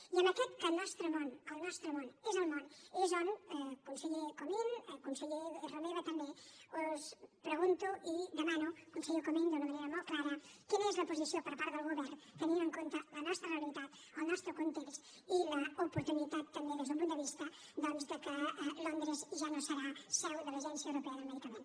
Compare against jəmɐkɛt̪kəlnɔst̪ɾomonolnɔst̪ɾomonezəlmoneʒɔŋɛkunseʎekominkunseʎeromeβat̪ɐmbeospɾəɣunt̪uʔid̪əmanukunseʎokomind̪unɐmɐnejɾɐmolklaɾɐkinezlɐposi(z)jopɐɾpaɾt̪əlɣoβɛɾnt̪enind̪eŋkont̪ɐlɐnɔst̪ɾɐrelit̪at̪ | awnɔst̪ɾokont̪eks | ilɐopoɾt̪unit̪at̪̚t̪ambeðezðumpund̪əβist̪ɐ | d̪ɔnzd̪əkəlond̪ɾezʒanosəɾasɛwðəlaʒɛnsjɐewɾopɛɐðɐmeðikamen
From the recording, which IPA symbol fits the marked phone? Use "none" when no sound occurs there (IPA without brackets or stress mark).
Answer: s